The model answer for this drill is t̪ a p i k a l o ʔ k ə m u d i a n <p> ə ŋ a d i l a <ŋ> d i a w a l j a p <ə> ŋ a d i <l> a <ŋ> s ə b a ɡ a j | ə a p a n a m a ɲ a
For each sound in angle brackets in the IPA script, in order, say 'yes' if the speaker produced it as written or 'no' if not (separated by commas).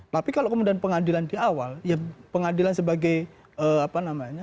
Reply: yes, no, yes, yes, no